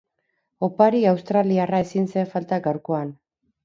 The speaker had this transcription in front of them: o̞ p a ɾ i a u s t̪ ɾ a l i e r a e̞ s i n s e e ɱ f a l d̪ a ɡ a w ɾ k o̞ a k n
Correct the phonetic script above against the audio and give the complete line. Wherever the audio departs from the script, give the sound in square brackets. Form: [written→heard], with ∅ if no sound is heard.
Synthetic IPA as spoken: o̞ p a ɾ i a [u→w] s t̪ ɾ a l i [e→a] r a e̞ s i n s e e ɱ f a l [d̪→t̪] a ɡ a w ɾ k o̞ a [k→∅] n